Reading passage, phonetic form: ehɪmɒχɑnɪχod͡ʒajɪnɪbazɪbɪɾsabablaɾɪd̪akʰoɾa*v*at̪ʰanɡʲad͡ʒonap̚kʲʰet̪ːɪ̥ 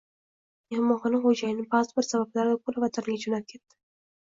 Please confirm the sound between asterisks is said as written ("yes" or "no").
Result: yes